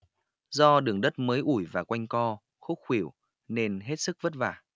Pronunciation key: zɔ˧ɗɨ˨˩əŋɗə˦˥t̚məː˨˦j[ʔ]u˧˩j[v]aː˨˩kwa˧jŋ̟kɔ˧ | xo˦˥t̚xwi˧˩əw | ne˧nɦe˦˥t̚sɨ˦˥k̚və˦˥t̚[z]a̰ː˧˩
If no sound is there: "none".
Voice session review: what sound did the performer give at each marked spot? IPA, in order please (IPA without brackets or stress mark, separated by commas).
ʔ, v, v